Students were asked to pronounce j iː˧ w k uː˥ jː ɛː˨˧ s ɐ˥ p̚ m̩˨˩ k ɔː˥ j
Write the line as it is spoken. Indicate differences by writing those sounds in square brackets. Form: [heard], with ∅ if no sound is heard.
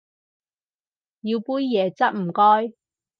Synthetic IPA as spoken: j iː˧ w [p] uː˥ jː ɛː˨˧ [t͡s] ɐ˥ [t̚] m̩˨˩ k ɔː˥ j